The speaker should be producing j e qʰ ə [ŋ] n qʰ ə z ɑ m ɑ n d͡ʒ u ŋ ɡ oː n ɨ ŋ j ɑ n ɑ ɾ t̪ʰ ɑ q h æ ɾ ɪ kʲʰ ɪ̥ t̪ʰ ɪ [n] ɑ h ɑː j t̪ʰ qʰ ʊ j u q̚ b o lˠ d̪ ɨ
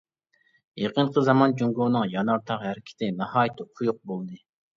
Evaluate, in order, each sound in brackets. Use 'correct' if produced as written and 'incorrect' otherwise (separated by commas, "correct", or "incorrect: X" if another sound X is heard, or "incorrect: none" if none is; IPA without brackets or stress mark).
incorrect: none, correct